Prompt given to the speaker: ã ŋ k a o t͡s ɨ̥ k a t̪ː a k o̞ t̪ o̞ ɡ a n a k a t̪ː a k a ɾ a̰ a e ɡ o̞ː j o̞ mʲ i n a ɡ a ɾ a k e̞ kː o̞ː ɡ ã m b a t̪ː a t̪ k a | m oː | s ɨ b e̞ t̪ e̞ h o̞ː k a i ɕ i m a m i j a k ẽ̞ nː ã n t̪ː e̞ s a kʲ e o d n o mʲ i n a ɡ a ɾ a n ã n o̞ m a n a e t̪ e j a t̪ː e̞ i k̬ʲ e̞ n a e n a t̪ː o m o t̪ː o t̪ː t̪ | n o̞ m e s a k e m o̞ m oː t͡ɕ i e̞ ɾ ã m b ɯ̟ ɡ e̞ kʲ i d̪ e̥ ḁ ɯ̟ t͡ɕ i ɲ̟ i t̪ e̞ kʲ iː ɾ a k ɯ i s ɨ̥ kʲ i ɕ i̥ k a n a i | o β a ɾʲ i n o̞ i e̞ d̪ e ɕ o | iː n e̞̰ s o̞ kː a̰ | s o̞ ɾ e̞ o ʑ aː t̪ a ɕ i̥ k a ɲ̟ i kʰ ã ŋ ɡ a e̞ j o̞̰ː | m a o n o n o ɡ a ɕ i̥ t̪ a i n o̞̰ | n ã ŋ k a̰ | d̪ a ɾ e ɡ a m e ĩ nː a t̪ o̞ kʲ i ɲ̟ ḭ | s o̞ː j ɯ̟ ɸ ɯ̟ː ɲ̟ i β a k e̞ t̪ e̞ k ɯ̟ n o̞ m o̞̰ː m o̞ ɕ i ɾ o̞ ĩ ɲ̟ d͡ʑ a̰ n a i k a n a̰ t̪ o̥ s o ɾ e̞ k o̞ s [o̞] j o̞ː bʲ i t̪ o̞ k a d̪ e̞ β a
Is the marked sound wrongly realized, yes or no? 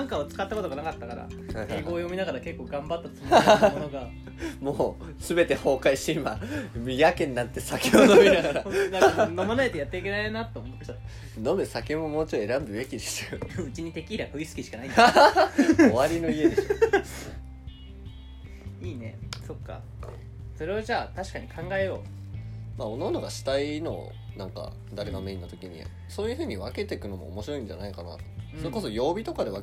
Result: no